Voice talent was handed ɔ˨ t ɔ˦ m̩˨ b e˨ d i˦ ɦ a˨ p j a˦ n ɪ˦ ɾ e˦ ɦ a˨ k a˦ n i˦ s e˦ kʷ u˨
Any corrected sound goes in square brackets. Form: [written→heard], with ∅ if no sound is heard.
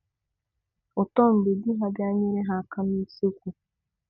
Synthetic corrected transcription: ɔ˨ t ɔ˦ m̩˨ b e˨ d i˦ ɦ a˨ [p→b] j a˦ [n→ɲ] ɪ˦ ɾ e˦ ɦ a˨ k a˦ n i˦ s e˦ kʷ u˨